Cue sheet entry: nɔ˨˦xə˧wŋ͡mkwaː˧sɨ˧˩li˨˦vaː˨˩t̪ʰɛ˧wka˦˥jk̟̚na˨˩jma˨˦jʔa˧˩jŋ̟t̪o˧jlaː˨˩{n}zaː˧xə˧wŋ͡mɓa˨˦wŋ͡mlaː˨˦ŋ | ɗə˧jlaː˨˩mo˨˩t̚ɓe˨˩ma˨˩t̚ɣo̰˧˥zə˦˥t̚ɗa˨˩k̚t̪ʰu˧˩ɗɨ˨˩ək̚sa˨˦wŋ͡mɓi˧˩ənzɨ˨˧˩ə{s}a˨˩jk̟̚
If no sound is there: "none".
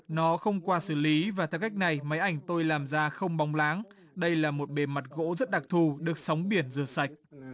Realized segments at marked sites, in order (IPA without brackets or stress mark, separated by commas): m, s